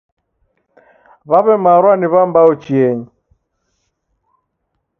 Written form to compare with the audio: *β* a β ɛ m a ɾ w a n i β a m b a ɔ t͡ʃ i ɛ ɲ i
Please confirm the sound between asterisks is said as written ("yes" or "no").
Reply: yes